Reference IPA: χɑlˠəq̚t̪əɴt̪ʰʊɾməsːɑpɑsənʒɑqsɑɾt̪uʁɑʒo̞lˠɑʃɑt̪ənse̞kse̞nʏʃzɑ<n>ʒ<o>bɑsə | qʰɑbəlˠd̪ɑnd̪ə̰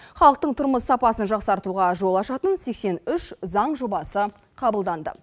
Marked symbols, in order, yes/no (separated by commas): no, yes